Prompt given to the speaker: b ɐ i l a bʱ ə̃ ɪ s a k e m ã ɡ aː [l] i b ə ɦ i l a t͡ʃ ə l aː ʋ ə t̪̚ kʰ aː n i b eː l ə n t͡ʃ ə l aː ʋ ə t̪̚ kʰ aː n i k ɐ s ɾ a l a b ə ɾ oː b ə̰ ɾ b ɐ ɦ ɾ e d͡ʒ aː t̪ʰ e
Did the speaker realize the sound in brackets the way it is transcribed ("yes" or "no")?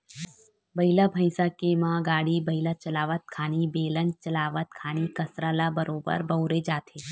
no